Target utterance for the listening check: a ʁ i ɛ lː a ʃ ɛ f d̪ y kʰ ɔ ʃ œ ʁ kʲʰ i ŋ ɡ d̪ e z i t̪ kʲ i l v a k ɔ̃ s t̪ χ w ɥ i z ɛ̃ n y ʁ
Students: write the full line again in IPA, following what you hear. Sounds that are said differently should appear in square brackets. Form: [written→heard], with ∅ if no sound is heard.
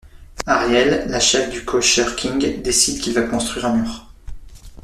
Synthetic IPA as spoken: a ʁ [i→j] ɛ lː a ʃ ɛ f d̪ y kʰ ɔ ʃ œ ʁ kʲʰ i ŋ ɡ d̪ e [z→s] i [t̪→d̪] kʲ i l v a k ɔ̃ s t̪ χ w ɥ i [z→ʁ] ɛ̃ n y ʁ